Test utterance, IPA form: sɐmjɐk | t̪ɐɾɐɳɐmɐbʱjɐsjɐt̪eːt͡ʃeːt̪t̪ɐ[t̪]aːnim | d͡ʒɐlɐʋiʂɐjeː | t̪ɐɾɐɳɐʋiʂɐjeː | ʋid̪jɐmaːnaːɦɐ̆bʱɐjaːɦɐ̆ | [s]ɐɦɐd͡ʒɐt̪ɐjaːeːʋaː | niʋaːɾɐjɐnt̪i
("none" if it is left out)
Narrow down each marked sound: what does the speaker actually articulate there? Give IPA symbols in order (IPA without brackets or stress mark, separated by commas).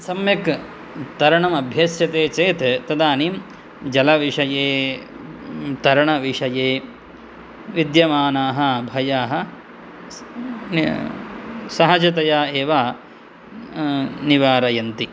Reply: d̪, s